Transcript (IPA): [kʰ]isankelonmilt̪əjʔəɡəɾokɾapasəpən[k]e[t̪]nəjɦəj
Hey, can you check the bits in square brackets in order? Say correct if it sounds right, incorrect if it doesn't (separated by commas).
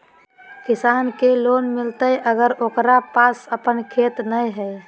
incorrect, incorrect, correct